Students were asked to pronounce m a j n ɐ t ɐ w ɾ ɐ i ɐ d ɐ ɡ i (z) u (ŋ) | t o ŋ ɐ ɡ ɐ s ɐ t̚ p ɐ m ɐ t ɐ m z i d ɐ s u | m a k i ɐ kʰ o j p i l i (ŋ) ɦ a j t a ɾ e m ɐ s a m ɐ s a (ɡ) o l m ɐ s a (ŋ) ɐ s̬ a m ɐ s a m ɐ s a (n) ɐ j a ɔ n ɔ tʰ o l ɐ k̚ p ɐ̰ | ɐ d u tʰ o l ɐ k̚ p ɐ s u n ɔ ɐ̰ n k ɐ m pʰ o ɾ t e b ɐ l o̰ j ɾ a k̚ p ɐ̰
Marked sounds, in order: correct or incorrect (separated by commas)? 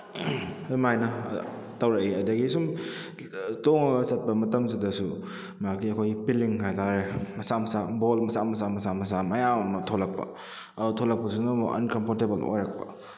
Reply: incorrect, incorrect, correct, incorrect, incorrect, incorrect